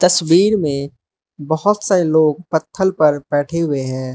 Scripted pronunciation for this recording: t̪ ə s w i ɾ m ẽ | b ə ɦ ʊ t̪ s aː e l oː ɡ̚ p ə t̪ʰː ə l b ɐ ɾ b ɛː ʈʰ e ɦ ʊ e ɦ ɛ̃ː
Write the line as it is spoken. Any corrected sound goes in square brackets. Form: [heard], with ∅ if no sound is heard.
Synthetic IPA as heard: t̪ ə s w [iː] ɾ m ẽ | b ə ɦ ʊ t̪ s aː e l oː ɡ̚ p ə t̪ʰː ə l [p] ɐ ɾ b ɛː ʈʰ e ɦ ʊ e ɦ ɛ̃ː